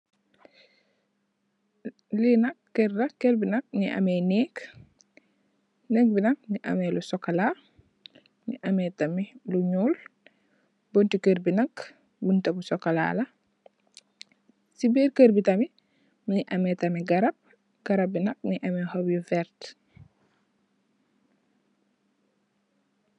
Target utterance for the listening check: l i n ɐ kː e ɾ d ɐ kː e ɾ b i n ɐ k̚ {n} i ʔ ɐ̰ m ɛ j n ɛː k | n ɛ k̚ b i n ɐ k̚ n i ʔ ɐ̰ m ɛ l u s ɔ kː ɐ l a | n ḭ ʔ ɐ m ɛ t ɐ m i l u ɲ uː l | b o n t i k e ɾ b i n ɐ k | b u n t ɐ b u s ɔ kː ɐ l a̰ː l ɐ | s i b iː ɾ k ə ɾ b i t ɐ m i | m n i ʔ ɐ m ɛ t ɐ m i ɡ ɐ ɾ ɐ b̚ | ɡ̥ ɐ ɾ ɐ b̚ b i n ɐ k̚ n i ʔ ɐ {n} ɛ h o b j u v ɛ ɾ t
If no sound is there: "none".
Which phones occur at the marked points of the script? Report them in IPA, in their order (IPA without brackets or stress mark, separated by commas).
n, m